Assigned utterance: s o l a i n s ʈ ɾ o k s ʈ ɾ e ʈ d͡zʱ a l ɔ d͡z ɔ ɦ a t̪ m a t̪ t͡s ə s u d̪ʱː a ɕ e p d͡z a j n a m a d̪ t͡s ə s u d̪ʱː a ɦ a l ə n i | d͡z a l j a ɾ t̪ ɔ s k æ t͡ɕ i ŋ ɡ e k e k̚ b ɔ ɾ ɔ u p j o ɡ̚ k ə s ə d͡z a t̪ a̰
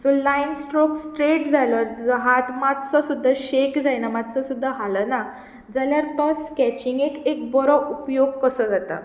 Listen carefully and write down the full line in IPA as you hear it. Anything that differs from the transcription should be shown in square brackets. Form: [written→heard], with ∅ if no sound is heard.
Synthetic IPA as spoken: s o l a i n s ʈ ɾ o k s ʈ ɾ e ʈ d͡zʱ a l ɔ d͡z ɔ ɦ a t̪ m a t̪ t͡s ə s u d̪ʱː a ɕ e [p→k] d͡z a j n a m a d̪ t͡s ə s u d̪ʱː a ɦ a l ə n [i→a] | d͡z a l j a ɾ t̪ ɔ s k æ t͡ɕ i ŋ ɡ e k e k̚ b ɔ ɾ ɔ u p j o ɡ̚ k ə s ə d͡z a t̪ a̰